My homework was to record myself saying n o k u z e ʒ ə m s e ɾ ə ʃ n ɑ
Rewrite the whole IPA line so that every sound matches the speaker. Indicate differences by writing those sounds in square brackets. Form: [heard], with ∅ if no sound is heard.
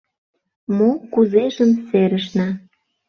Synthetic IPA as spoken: [m] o k u z e ʒ ə m s e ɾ ə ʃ n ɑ